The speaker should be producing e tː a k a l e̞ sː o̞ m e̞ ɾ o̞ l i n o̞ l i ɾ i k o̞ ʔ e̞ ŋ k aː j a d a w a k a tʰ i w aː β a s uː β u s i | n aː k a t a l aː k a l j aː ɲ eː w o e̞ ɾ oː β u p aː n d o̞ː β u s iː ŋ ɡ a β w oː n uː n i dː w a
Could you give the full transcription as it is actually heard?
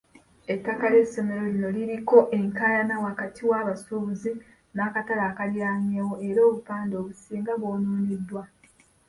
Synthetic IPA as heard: e tː a k a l e̞ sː o̞ m e̞ ɾ o̞ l i n o̞ l i ɾ i k o̞ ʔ e̞ ŋ k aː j a n a w a k a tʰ i w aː β a s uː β u z i | n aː k a t a l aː k a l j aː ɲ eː w o e̞ ɾ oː β u p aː n d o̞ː β u s iː ŋ ɡ a β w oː n uː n i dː w a